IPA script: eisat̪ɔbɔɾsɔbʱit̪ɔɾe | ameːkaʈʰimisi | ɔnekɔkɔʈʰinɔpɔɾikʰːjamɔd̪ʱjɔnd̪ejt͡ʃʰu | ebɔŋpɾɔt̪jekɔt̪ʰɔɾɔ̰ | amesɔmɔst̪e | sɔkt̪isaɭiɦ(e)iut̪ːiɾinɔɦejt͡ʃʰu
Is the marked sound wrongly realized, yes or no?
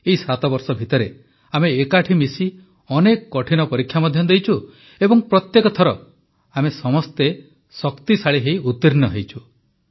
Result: no